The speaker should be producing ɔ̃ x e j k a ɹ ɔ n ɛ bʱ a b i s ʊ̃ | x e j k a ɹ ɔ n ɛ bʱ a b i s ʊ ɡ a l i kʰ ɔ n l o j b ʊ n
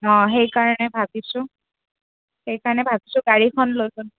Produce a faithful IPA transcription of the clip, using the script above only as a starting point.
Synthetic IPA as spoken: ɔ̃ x e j k a ɹ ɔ n ɛ bʱ a b i s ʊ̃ | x e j k a ɹ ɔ n ɛ bʱ a b i s ʊ ɡ a ɹ i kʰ ɔ n l o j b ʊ n